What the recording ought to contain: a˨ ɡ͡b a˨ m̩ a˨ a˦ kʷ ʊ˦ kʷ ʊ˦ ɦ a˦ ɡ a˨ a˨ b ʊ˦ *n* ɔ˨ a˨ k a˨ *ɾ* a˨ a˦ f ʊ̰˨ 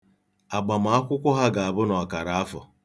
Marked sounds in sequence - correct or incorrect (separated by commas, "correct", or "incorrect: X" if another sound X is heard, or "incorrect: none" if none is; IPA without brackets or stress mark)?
correct, correct